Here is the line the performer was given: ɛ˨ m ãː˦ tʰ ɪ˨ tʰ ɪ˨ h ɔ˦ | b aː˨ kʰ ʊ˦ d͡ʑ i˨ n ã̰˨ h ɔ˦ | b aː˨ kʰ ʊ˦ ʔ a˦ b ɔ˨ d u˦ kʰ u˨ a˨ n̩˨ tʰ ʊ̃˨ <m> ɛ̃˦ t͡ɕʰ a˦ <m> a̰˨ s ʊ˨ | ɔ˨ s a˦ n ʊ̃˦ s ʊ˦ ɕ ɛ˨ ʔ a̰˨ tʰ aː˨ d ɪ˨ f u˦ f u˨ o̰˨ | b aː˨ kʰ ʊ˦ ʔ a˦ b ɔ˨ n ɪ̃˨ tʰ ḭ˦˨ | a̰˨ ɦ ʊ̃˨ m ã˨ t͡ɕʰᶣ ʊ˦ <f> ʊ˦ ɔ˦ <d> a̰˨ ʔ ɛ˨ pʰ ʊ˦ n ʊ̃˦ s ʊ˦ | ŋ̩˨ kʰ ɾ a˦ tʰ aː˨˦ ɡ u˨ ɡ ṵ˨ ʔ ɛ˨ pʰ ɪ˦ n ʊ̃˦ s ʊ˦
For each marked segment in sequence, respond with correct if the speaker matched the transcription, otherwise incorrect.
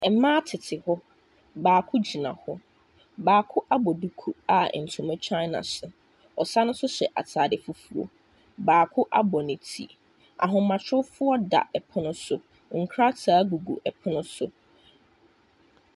correct, incorrect: n, correct, correct

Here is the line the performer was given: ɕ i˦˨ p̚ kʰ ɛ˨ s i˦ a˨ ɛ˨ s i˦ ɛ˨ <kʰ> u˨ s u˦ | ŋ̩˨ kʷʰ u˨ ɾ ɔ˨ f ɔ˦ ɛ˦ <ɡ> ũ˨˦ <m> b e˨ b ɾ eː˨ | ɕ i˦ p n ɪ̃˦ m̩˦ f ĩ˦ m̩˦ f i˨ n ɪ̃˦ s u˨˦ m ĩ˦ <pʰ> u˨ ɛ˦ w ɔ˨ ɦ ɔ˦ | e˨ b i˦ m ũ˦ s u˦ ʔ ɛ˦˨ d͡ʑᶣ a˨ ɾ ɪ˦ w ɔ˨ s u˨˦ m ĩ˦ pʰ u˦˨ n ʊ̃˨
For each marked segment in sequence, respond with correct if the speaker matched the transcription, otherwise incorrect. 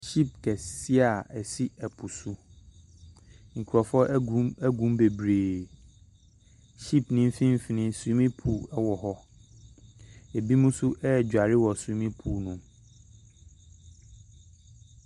incorrect: pʰ, correct, correct, correct

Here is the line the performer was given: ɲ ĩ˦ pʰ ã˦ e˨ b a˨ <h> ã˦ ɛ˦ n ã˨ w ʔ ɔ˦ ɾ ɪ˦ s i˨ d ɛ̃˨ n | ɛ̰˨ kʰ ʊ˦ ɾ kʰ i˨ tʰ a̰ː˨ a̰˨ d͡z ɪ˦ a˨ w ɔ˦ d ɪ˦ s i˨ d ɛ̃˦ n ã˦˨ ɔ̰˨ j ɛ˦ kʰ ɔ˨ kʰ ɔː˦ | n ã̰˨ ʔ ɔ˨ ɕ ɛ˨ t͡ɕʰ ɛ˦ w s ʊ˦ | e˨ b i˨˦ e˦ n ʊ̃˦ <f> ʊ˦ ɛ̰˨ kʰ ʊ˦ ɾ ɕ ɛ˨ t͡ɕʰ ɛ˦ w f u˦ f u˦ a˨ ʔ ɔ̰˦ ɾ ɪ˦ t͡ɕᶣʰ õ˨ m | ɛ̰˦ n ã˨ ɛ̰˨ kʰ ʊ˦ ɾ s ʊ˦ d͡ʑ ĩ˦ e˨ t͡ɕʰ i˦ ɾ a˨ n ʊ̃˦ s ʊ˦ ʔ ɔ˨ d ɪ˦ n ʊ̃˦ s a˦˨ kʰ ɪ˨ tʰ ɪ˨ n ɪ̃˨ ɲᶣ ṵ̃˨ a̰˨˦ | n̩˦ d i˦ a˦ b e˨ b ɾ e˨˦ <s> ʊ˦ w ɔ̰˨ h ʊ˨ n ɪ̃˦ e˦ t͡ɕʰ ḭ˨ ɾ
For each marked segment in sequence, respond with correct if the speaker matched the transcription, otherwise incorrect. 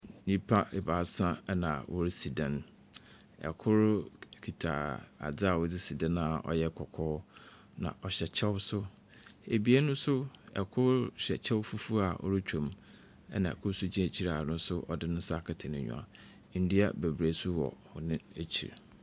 incorrect: s, incorrect: s, correct

